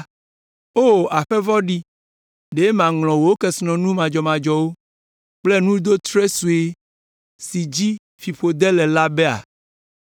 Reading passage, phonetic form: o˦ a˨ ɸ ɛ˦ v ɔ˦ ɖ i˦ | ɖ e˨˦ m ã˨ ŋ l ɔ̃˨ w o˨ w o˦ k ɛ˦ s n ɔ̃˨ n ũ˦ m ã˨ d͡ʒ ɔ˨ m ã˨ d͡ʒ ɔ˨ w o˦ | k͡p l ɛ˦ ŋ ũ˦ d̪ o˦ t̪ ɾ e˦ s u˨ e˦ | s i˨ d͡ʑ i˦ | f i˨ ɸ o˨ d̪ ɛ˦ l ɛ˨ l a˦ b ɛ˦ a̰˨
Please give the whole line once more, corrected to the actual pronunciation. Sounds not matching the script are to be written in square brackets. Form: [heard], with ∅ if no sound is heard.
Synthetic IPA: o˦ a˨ ɸ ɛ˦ v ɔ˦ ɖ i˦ | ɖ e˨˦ m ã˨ ŋ l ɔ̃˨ w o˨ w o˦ k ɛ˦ s n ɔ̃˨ n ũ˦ m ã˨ d͡ʒ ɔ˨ m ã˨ d͡ʒ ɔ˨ w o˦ | k͡p l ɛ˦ [n] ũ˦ d̪ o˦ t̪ ɾ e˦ s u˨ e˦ | s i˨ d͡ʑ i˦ | f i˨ ɸ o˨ d̪ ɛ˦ l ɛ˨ l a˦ b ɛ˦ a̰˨